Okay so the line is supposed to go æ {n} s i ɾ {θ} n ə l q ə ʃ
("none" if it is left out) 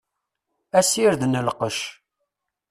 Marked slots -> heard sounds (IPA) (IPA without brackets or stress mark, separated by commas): none, ð